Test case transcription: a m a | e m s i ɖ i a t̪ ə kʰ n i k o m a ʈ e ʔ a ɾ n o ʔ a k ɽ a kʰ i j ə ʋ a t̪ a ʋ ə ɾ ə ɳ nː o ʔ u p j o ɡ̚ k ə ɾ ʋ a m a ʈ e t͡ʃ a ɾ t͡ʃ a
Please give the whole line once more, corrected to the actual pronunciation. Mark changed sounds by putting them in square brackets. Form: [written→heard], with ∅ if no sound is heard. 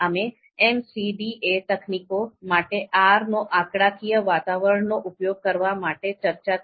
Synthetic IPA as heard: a m [a→e] | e m s i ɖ i [a→e] t̪ ə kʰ n i k o m a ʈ e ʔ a ɾ n o ʔ a k ɽ a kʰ i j ə ʋ a t̪ a ʋ ə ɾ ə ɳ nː o ʔ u p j o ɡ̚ k ə ɾ ʋ a m a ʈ e t͡ʃ [a→ə] ɾ t͡ʃ a